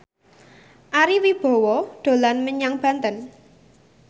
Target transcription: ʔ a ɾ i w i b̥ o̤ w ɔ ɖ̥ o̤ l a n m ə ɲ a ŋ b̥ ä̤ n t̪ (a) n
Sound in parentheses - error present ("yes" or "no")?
yes